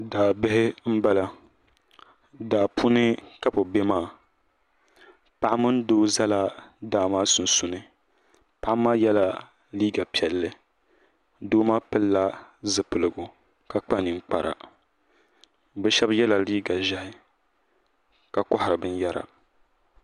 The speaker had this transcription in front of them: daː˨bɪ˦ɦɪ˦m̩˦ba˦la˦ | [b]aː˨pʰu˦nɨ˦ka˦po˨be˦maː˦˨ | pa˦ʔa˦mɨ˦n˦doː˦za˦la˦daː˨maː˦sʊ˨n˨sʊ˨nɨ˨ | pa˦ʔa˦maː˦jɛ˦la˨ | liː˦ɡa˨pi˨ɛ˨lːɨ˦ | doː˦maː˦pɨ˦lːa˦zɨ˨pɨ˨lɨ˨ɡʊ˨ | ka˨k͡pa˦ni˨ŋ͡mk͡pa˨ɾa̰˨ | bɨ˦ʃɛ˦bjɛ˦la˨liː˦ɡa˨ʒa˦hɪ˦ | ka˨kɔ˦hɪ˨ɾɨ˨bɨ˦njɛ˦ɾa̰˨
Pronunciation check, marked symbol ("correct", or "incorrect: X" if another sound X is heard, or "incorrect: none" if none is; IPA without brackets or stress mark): incorrect: d